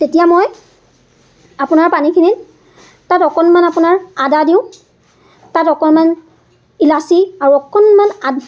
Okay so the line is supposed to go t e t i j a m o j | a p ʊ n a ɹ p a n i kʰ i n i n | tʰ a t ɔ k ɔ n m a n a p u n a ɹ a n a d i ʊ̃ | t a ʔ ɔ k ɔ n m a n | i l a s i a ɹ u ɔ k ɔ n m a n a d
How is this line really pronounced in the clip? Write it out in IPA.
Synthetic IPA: t e t i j a m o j | a p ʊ n a ɹ p a n i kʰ i n i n | t a t ɔ k ɔ n m a n a p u n a ɹ a d a d i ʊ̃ | t a t ɔ k ɔ n m a n | i l a s i a ɹ u ɔ k ɔ n m a n a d